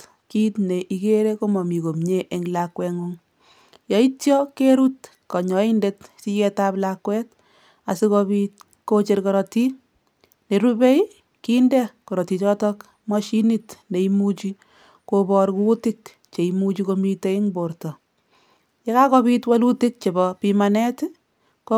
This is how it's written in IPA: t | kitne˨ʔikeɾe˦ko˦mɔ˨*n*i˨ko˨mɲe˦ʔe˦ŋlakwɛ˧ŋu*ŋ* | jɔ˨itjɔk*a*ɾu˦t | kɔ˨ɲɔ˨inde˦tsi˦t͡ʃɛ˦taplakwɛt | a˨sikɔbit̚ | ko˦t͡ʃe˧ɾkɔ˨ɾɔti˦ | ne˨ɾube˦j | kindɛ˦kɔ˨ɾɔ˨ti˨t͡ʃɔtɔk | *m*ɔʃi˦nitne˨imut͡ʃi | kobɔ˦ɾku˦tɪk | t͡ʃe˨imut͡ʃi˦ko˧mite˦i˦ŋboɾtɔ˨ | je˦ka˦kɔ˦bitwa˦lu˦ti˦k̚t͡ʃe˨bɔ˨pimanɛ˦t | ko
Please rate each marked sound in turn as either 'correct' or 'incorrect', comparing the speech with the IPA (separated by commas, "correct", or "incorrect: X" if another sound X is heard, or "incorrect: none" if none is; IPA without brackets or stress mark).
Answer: incorrect: m, correct, incorrect: e, correct